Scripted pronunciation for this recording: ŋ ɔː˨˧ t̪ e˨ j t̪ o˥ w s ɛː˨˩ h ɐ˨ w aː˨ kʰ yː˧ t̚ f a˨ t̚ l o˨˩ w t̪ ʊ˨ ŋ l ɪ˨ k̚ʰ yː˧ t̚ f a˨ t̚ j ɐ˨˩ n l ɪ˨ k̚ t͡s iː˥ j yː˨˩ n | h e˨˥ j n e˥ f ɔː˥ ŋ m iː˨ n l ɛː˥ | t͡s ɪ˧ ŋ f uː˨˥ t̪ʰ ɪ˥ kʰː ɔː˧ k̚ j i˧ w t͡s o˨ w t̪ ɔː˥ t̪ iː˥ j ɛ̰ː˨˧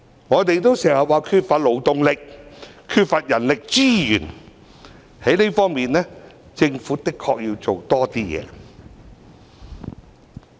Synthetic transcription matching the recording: ŋ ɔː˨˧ t̪ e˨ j t̪ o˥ w s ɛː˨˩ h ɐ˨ w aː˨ kʰ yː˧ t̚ f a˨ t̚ l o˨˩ w t̪ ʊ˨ ŋ l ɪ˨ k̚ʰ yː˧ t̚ f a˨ t̚ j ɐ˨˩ n l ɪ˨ k̚ t͡s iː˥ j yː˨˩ n | h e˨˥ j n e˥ f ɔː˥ ŋ m iː˨ n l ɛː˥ | t͡s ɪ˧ ŋ f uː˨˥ t̪ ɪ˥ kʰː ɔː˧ k̚ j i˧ w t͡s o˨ w t̪ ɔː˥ t̪ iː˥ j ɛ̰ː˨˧